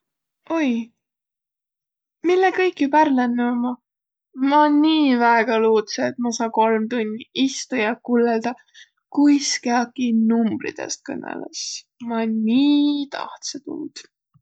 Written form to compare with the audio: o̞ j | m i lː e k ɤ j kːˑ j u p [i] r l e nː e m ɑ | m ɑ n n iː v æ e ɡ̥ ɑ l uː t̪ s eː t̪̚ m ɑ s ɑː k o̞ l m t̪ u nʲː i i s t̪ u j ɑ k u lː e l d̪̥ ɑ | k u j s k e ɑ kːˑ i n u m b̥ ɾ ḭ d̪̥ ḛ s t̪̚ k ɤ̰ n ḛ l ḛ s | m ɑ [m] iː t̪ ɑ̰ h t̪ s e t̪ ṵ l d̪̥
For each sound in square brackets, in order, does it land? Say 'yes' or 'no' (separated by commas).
no, no